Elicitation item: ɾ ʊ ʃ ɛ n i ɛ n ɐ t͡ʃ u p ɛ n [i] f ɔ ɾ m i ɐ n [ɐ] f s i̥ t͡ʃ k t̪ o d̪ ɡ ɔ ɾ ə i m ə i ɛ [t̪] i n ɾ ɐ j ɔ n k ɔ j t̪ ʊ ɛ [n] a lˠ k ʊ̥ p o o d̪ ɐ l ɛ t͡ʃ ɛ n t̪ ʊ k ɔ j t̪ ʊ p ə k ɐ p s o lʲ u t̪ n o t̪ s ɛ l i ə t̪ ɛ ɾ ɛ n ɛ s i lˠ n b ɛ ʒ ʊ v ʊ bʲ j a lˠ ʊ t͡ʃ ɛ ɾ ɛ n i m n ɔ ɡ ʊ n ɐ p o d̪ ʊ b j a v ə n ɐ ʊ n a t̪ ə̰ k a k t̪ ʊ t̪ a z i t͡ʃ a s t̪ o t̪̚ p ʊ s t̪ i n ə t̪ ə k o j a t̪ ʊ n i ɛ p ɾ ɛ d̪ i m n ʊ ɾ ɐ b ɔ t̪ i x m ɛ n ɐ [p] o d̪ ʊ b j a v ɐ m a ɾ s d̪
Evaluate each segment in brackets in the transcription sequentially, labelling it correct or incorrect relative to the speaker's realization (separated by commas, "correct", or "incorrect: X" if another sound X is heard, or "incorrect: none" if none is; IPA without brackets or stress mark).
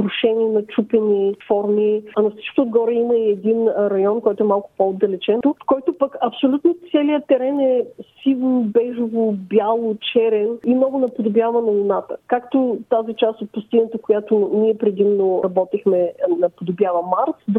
correct, correct, incorrect: d̪, incorrect: m, correct